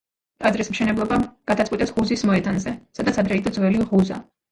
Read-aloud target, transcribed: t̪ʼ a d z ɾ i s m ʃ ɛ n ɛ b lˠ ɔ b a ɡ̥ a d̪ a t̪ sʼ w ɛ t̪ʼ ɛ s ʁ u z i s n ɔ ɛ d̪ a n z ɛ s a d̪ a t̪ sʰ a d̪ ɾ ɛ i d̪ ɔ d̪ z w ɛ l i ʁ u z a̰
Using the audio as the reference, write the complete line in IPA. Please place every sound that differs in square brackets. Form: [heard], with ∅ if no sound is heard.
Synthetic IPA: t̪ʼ a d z ɾ i s m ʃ ɛ n ɛ b lˠ ɔ b a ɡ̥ a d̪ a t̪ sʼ w [i] t̪ʼ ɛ s ʁ u z i s [m] ɔ ɛ d̪ a n z ɛ s a d̪ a t̪ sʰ a d̪ ɾ ɛ i d̪ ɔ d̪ z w ɛ l i ʁ u z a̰